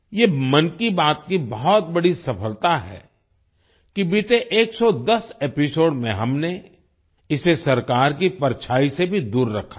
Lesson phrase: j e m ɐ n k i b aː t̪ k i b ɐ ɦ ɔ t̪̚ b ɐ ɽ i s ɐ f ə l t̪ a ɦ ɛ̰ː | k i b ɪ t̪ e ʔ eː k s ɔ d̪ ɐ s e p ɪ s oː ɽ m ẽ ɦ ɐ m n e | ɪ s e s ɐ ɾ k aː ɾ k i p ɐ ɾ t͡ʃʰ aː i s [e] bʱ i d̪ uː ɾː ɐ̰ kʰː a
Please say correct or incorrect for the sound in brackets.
correct